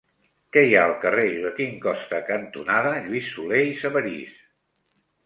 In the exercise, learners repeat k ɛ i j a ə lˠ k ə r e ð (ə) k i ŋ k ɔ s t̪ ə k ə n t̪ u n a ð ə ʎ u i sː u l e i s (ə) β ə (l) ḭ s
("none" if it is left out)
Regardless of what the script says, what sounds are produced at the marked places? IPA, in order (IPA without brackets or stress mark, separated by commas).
ə, ə, ɾ